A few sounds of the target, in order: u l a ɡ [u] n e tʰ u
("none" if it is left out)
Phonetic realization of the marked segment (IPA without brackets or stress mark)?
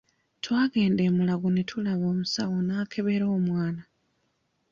u